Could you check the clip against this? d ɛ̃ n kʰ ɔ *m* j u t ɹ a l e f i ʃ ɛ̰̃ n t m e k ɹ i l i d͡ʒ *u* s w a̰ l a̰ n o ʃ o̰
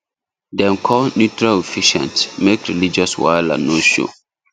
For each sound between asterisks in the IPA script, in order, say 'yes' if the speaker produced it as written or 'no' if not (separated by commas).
no, no